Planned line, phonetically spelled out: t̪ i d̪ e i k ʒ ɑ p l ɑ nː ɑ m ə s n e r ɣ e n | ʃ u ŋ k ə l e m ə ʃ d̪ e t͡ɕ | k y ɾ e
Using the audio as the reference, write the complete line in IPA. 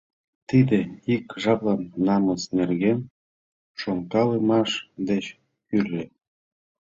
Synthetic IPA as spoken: t̪ i d̪ e i k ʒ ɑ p l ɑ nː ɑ m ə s n e r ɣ e n | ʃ o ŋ k ɑ l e m ɑ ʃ d̪ e t͡ɕ | k y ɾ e